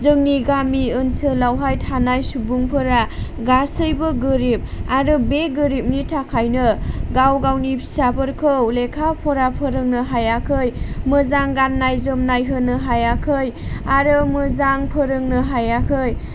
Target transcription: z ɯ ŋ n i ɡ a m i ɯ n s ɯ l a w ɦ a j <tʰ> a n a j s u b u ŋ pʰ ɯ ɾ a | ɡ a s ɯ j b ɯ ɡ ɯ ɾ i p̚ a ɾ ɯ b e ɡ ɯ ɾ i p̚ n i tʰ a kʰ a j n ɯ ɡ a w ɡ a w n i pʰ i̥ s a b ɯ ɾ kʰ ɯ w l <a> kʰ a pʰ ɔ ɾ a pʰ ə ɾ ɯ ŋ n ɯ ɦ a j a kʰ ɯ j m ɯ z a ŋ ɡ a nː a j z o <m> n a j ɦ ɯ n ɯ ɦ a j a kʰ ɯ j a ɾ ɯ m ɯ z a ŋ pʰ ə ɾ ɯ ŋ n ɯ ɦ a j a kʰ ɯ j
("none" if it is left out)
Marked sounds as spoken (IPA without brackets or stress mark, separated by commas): tʰ, e, m